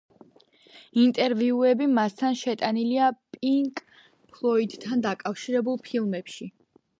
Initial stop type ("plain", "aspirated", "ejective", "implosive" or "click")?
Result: ejective